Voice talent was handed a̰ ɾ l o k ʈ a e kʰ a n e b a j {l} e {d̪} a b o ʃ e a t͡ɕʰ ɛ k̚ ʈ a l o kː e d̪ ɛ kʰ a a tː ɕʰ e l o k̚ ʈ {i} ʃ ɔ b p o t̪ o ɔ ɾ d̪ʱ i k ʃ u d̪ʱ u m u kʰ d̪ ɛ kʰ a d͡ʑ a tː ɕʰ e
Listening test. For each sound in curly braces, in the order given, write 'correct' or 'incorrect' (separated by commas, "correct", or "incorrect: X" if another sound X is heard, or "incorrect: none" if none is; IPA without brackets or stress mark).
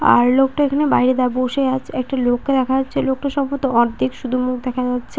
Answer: incorrect: ɾ, correct, incorrect: a